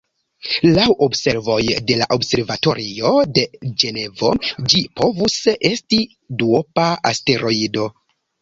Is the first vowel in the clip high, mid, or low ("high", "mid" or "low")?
low